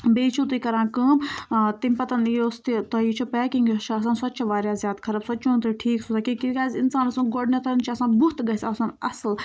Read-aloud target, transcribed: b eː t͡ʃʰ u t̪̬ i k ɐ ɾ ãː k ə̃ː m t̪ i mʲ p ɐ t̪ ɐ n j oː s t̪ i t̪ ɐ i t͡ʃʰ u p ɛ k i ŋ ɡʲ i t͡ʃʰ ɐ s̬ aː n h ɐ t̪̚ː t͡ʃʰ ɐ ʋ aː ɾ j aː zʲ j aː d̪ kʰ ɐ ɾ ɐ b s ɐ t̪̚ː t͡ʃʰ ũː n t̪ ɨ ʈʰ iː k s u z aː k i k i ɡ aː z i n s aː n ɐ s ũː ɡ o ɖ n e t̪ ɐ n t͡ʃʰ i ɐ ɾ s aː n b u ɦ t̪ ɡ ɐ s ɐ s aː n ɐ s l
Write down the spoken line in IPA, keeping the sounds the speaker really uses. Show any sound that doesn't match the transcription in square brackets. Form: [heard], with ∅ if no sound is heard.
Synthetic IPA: b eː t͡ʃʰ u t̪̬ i k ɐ ɾ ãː k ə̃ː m t̪ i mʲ p ɐ t̪ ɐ n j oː s t̪ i t̪ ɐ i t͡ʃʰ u p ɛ k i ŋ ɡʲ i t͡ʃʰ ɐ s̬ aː n [s] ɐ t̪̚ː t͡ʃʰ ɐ ʋ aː ɾ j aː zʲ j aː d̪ kʰ ɐ ɾ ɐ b s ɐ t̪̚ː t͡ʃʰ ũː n t̪ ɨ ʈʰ iː k s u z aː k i k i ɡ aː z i n s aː n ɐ s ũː ɡ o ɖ n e t̪ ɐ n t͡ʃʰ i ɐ [∅] s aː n b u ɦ t̪ ɡ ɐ s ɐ s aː n ɐ s l